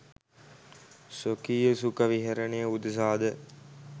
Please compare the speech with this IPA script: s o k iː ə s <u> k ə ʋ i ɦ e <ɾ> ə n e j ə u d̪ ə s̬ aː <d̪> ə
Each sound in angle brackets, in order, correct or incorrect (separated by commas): correct, correct, correct